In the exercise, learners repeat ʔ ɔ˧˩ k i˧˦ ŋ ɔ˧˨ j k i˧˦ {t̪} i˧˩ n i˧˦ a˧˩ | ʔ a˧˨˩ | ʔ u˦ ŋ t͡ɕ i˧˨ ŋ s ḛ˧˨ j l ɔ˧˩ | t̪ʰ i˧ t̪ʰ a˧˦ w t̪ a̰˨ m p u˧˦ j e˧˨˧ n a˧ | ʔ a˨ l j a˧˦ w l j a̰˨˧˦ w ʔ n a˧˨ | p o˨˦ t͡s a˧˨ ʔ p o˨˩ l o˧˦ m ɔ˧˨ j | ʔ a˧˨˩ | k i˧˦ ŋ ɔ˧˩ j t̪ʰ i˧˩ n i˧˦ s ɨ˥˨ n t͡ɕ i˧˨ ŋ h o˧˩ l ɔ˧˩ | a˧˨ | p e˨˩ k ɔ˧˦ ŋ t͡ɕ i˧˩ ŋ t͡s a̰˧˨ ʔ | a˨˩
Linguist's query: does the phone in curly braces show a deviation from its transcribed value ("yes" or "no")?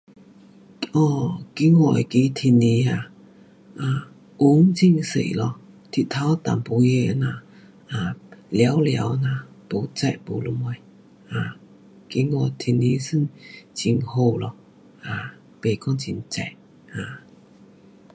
yes